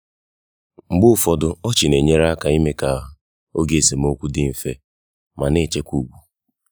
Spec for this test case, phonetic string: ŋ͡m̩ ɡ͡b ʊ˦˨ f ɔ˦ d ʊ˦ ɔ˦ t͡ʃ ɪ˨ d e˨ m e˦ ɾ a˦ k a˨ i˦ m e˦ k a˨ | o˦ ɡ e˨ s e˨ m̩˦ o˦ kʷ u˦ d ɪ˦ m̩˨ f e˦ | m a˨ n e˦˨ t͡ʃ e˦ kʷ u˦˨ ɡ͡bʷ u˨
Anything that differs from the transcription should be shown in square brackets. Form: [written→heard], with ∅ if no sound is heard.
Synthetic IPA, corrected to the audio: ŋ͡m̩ ɡ͡b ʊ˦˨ f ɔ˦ d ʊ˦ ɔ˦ t͡ʃ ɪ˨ [d→n] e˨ [m→ɲ] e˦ ɾ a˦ k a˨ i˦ m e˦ k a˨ | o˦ ɡ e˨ s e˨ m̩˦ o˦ kʷ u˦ d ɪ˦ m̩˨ f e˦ | m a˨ n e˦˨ t͡ʃ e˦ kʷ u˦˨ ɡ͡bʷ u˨